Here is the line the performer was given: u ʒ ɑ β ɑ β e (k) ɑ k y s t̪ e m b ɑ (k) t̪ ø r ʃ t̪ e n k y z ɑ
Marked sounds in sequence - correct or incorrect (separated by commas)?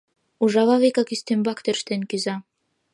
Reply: correct, correct